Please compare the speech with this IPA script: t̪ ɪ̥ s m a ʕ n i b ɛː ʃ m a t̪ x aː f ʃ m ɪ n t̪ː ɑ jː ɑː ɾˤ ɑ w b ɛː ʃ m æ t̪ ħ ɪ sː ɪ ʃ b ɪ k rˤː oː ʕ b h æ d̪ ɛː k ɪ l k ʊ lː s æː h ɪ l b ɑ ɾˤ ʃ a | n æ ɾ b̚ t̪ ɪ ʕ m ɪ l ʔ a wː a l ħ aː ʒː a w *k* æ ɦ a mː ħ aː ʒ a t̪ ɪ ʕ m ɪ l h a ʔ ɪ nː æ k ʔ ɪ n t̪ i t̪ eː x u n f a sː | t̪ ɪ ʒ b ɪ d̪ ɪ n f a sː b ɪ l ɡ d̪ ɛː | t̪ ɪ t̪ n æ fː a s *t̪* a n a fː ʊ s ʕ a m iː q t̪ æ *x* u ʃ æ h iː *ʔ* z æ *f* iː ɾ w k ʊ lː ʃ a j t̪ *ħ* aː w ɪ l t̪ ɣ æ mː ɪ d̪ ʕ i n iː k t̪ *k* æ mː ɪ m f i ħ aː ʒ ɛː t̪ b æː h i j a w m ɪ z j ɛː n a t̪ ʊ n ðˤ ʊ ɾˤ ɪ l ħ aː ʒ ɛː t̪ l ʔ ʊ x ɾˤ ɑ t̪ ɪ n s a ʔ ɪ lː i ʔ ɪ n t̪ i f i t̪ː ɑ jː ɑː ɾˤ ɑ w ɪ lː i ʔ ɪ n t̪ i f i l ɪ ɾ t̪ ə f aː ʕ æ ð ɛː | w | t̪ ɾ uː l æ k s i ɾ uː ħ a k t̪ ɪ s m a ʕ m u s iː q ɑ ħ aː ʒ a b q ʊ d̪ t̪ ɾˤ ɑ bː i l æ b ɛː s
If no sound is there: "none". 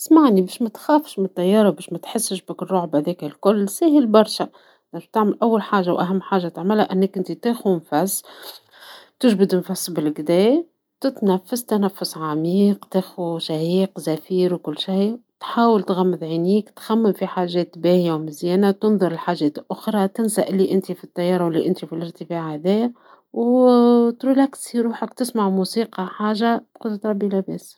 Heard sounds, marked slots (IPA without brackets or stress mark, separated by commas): ʔ, t̪, x, q, f, ħ, x